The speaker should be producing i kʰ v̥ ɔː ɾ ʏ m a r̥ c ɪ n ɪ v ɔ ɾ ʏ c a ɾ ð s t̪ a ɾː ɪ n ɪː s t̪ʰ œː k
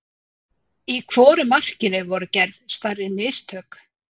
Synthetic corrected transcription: i kʰ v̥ ɔː ɾ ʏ m a r̥ c ɪ n ɪ v ɔ ɾ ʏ c ɛ ɾ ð s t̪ a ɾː ɪ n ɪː s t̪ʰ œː k